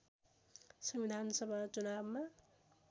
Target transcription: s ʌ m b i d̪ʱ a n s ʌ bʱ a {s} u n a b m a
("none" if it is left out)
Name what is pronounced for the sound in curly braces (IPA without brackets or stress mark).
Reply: t͡s